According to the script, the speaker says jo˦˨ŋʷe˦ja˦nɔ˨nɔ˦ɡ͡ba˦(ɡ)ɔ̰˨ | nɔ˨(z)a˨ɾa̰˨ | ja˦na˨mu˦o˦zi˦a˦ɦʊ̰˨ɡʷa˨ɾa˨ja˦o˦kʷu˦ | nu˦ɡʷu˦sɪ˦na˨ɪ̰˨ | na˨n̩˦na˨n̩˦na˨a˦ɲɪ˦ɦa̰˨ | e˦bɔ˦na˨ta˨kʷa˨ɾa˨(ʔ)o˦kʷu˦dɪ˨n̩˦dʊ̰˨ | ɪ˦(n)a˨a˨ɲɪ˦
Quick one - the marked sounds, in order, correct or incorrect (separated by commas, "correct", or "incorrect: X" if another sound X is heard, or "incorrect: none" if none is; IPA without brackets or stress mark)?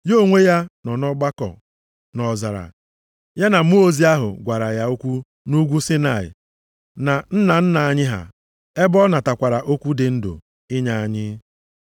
incorrect: k, correct, correct, incorrect: ɲ